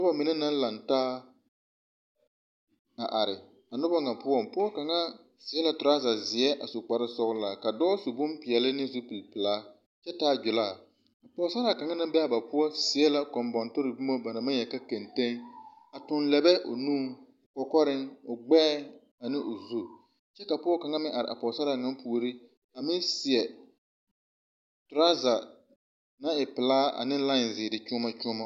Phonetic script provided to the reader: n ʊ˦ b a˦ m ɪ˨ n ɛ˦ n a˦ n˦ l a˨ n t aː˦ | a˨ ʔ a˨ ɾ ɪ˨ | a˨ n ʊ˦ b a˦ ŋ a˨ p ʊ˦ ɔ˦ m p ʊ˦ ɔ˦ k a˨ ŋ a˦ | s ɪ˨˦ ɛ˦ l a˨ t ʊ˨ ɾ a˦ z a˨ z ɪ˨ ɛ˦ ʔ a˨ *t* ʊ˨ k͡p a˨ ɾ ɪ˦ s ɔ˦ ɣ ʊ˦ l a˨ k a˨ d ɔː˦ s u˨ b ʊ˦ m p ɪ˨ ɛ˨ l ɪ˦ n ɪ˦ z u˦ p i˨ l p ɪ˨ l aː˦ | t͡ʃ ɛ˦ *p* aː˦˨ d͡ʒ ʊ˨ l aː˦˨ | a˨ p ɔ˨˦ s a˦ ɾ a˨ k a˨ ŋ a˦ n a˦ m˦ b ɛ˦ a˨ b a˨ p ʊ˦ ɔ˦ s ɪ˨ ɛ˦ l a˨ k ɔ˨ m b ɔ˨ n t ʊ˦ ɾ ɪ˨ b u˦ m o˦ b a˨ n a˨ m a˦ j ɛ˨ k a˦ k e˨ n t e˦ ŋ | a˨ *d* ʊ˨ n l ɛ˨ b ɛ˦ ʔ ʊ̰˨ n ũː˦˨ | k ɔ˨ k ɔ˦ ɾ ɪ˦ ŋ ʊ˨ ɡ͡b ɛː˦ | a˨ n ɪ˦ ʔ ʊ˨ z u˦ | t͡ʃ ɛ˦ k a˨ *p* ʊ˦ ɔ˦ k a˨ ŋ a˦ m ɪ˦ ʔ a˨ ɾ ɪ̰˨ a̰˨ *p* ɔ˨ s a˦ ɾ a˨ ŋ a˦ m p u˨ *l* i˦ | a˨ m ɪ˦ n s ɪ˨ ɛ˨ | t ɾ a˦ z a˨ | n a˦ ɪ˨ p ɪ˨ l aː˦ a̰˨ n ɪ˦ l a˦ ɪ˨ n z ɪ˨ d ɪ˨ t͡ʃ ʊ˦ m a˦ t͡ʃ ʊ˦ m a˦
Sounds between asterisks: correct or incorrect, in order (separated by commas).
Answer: incorrect, incorrect, incorrect, correct, correct, incorrect